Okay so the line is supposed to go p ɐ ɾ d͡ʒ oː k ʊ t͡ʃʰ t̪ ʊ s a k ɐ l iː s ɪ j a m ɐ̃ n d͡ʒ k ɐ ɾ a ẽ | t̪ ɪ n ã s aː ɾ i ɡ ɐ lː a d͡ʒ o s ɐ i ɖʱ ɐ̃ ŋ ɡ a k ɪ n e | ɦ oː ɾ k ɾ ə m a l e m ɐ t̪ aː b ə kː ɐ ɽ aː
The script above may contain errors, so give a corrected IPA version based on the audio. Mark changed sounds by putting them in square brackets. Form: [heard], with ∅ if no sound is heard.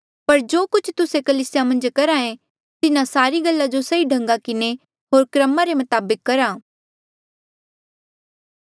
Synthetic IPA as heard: p ɐ ɾ d͡ʒ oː k ʊ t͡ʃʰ t̪ ʊ s [e] k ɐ l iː s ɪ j a m ɐ̃ n d͡ʒ k ɐ ɾ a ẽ | t̪ ɪ n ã s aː ɾ i ɡ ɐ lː a d͡ʒ o s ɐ i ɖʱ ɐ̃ ŋ ɡ a k ɪ n e | ɦ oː ɾ k ɾ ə m a [ɾ] e m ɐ t̪ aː b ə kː ɐ [ɾ] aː